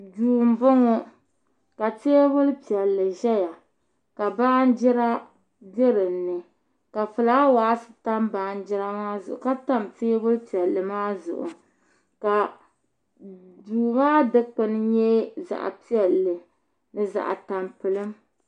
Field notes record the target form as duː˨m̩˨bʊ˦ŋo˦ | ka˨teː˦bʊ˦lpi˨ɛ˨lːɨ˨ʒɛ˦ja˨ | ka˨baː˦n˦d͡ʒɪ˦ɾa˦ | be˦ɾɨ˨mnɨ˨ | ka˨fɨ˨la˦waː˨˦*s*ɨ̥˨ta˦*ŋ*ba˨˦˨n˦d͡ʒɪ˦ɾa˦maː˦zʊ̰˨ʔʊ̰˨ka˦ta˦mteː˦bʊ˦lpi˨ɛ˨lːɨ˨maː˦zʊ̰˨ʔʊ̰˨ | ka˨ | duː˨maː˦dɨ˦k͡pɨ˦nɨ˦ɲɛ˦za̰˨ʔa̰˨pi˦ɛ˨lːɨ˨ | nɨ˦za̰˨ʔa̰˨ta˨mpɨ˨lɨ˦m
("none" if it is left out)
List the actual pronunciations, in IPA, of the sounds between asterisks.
s, m

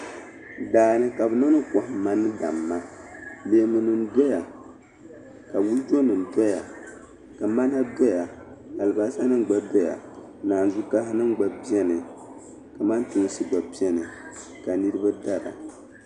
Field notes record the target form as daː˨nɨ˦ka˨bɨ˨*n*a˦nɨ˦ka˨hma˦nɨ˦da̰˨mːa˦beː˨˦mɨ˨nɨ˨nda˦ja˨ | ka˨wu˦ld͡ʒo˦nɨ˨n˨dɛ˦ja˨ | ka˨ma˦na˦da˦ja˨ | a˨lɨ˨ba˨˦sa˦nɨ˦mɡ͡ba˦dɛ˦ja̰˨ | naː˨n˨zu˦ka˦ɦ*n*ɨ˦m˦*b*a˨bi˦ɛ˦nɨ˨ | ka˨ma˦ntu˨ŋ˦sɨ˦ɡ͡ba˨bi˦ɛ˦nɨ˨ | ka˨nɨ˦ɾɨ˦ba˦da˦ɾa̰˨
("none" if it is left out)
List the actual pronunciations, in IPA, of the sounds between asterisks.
n, n, ɡ͡b

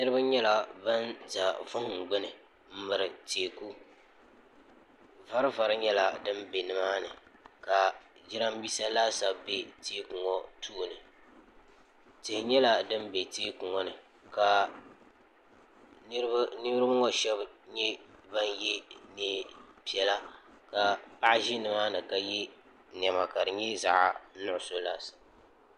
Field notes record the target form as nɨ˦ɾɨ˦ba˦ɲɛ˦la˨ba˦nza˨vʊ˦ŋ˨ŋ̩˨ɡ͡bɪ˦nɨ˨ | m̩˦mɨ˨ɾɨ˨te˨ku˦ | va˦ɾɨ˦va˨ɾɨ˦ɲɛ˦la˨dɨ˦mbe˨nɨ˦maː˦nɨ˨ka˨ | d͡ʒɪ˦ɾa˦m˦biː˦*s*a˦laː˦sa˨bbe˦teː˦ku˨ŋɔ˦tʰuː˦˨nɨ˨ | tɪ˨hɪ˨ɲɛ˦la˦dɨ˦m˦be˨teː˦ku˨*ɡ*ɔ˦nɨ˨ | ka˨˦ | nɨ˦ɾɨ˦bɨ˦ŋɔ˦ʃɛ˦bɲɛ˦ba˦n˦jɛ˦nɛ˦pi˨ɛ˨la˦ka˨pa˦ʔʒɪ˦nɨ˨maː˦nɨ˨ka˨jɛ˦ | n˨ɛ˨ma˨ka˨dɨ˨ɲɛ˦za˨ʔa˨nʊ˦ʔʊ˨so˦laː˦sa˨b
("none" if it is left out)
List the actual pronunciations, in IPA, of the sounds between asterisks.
s, ŋ

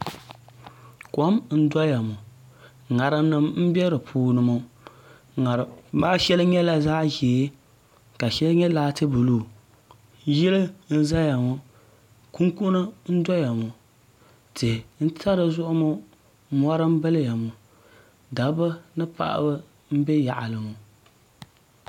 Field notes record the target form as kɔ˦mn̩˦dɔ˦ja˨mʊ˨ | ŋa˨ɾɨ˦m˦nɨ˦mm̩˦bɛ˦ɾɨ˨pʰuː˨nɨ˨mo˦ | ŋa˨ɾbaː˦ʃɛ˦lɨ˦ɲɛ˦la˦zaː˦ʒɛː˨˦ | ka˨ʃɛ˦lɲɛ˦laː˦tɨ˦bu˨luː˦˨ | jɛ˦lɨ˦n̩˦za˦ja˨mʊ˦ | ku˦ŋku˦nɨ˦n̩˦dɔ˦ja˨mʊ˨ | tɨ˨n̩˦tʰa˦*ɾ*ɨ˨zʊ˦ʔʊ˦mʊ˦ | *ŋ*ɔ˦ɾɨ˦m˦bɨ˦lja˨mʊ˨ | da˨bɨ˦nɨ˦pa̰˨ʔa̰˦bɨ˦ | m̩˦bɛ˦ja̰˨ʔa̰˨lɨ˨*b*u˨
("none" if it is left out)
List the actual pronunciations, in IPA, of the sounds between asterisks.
ɾ, m, m

